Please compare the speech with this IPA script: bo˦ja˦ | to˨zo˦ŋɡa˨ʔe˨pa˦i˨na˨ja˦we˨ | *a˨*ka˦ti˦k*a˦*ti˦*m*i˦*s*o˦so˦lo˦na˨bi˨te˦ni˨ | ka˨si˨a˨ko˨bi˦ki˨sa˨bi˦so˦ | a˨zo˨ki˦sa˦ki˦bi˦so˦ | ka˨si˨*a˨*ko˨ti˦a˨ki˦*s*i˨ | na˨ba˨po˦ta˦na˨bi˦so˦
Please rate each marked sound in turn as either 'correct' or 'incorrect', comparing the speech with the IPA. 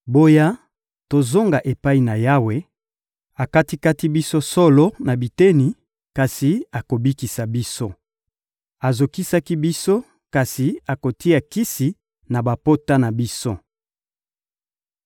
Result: correct, correct, incorrect: b, correct, correct, correct

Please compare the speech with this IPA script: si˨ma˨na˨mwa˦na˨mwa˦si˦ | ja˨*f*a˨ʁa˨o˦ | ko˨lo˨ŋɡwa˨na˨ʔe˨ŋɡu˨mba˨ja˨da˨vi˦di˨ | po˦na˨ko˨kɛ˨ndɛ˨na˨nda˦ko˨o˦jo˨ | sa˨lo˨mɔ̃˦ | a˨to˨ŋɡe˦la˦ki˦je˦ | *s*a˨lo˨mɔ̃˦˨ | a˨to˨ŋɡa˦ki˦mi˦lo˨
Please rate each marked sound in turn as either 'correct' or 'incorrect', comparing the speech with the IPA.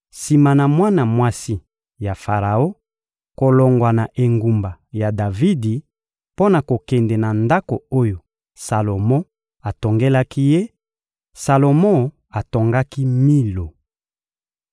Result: correct, correct

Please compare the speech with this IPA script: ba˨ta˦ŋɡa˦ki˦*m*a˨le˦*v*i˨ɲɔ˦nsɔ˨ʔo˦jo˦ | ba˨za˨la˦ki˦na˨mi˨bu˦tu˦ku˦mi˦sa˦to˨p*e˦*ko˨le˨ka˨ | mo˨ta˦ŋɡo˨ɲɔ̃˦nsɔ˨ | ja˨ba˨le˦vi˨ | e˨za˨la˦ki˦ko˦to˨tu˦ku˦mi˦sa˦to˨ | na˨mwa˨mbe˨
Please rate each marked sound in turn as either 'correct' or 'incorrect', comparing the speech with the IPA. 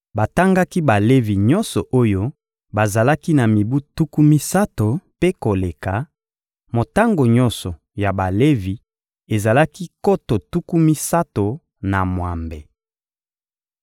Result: incorrect: b, correct, correct

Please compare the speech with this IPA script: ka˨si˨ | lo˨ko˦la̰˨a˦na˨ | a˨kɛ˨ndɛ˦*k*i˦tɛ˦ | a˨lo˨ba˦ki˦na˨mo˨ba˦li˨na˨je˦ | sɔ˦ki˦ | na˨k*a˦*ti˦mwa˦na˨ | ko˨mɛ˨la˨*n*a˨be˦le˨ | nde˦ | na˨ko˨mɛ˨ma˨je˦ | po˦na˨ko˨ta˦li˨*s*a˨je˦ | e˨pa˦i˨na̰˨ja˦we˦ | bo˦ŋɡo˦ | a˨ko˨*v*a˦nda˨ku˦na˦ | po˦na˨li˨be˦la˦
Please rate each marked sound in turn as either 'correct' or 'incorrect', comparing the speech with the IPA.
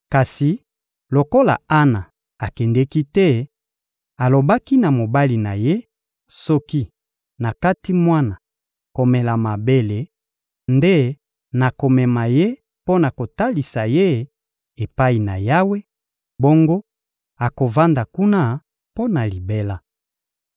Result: correct, correct, incorrect: m, correct, correct

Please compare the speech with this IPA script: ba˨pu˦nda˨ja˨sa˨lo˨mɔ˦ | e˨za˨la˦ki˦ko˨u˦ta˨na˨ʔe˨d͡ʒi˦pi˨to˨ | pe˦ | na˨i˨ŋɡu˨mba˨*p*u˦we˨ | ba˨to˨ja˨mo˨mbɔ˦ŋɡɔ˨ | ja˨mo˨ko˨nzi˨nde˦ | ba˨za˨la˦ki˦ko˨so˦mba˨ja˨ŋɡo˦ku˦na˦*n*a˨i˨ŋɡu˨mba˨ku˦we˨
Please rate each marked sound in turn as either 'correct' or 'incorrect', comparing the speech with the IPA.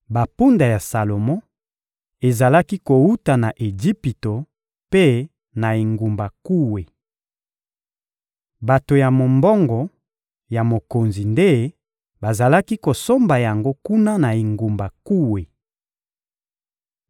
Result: incorrect: k, correct

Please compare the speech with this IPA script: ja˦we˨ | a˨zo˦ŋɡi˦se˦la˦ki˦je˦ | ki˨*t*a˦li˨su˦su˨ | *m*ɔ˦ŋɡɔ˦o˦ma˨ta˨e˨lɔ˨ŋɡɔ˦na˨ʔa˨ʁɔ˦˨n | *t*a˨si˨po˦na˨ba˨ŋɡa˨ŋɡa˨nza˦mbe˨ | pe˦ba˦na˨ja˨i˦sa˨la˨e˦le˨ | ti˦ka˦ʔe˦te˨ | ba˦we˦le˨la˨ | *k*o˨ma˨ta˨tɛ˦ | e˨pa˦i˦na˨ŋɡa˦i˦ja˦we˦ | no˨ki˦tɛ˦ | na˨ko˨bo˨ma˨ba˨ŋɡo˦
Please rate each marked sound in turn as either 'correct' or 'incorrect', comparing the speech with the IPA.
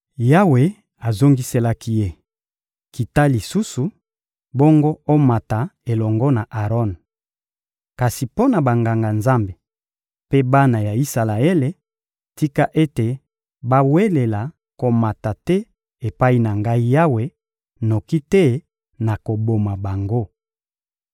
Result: correct, incorrect: b, incorrect: k, correct

